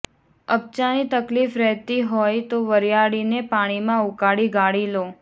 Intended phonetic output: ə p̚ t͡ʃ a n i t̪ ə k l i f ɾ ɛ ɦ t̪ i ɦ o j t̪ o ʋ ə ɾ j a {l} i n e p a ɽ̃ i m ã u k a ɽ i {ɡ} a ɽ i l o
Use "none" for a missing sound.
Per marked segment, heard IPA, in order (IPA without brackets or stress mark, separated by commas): ɽ, ɡ